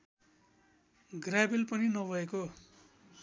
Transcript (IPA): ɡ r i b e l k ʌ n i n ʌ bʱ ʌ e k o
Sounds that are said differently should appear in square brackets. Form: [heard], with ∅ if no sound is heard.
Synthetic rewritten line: ɡ r [a] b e l [p] ʌ n i n ʌ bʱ ʌ e k o

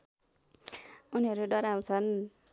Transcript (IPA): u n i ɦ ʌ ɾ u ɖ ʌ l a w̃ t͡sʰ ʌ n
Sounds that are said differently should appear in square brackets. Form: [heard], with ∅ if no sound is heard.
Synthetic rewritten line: u n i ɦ ʌ ɾ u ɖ ʌ [ɾ] a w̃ t͡sʰ ʌ n

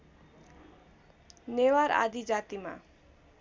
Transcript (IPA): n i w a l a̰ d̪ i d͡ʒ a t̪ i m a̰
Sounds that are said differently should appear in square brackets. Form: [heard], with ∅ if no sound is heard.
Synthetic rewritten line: n [e] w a [ɾ] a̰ d̪ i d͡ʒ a t̪ i m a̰

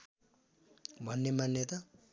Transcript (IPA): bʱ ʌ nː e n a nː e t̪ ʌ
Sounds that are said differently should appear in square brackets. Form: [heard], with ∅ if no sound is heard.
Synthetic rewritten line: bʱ ʌ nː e [m] a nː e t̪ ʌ

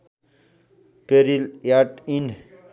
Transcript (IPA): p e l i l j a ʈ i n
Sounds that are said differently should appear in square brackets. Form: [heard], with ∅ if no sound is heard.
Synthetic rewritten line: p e [ɾ] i l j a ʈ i n

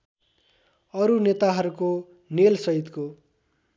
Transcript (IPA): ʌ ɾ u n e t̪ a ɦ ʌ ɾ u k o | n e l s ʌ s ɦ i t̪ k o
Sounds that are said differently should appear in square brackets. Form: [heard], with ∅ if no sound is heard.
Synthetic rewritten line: ʌ ɾ u n e t̪ a ɦ ʌ ɾ u k o | n e l s ʌ [∅] ɦ i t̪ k o

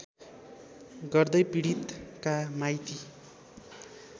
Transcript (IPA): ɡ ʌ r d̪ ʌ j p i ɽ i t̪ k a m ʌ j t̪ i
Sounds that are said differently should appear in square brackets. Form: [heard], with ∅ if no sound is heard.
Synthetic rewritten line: ɡ ʌ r d̪ ʌ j p i ɽ i t̪ k a m [a] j t̪ i

